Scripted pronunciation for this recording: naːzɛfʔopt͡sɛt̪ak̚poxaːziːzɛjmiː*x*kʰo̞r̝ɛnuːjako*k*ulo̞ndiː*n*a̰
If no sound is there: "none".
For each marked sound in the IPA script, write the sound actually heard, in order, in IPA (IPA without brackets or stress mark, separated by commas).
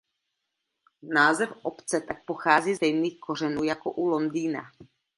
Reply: x, ʔ, n